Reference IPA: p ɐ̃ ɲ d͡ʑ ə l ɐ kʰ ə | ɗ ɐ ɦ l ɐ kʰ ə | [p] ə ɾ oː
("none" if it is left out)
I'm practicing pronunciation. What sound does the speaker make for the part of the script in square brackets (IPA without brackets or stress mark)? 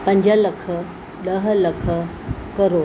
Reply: k